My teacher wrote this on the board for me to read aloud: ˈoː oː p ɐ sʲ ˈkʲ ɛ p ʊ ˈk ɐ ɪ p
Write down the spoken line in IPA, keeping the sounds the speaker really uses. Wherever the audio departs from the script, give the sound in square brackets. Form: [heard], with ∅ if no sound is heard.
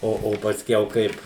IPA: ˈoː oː p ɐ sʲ ˈkʲ ɛ [∅] ʊ ˈk ɐ ɪ p